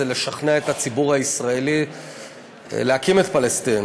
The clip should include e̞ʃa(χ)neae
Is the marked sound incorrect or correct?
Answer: correct